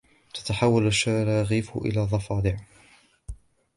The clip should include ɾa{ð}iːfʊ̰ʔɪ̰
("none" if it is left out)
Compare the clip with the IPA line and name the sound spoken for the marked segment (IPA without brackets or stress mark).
ɣ